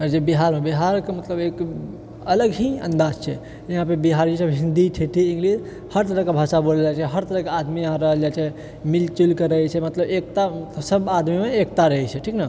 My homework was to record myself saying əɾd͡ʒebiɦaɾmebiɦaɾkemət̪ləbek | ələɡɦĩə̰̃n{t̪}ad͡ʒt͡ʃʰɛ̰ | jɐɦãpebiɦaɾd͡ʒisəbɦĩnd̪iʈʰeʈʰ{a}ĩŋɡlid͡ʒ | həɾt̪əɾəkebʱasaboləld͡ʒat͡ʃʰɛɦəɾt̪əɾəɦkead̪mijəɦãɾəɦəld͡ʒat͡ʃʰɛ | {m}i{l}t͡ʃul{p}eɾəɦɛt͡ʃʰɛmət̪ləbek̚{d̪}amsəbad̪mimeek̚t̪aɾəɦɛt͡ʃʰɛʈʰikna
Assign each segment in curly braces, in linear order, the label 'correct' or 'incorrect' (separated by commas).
incorrect, incorrect, correct, correct, incorrect, incorrect